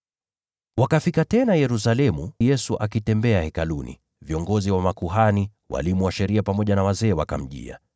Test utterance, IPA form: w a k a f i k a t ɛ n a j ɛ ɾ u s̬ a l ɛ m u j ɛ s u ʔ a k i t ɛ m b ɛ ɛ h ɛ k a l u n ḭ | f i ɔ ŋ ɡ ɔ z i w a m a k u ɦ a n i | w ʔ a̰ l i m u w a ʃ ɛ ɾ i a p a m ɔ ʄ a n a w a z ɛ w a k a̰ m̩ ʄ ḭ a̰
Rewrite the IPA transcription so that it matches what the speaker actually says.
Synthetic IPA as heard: w a k a f i k a t ɛ n a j ɛ ɾ u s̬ a l ɛ m u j ɛ s u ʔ a k i t ɛ m b ɛ a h ɛ k a l u n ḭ | v i ɔ ŋ ɡ ɔ z i w a m a k u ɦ a n i | w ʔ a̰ l i m u w a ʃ ɛ ɾ i a p a m ɔ ʄ a n a w a z ɛː w a k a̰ m̩ ʄ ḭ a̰